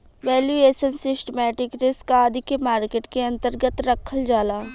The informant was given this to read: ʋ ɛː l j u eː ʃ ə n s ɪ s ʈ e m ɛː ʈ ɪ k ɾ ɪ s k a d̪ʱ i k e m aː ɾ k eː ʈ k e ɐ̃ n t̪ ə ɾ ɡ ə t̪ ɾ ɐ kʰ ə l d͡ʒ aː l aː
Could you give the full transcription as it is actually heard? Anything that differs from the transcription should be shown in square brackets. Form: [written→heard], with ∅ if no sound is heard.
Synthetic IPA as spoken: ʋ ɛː l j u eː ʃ ə n s ɪ s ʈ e m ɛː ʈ ɪ k ɾ ɪ s k a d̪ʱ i k e m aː ɾ k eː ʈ k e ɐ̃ n t̪ ə ɾ ɡ ə t̪ ɾ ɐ kʰ ə l d͡ʒ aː l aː